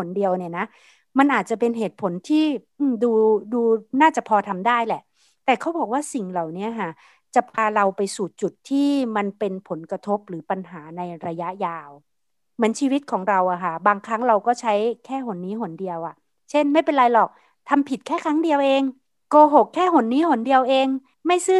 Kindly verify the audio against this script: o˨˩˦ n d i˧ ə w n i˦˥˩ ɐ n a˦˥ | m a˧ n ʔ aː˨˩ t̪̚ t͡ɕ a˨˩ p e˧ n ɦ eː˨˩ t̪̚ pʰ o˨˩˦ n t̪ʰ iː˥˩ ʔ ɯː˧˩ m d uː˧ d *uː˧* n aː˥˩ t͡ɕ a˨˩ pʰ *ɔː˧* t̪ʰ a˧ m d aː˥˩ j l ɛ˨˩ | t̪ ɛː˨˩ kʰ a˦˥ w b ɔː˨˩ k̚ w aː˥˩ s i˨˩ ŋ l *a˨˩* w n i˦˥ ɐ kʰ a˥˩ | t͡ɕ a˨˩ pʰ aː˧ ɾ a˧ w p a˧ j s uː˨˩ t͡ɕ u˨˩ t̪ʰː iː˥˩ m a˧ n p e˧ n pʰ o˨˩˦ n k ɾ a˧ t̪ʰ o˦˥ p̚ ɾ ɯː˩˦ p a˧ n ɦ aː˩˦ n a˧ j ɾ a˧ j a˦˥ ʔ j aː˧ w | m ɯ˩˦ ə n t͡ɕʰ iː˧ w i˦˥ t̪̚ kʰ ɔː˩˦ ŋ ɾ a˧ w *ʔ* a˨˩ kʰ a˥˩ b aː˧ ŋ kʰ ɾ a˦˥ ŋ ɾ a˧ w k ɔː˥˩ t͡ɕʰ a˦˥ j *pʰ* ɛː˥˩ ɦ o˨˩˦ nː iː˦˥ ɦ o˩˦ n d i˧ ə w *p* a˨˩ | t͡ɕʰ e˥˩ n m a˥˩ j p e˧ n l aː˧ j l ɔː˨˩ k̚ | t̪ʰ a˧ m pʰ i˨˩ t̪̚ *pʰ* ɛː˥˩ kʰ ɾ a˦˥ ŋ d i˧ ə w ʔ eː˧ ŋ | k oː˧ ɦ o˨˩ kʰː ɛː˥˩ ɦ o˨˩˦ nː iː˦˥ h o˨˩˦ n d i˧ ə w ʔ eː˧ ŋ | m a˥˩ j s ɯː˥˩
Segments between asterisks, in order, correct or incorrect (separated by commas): correct, correct, correct, correct, incorrect, incorrect, incorrect